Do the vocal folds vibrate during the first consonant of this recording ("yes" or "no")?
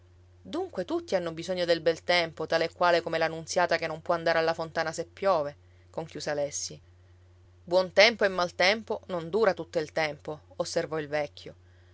yes